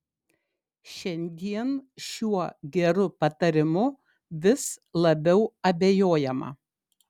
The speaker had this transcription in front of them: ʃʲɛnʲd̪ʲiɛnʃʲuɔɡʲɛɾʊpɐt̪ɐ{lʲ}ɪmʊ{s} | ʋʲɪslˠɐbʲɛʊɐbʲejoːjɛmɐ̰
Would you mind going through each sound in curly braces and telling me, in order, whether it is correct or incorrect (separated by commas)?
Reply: incorrect, incorrect